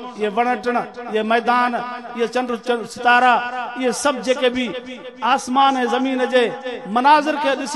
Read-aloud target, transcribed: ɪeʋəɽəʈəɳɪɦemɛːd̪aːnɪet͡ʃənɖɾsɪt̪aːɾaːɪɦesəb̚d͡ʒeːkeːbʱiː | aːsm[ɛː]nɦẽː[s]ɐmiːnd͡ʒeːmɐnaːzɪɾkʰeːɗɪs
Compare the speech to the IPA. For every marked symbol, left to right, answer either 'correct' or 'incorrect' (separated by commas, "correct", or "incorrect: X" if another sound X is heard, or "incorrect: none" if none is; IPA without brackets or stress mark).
incorrect: aː, incorrect: z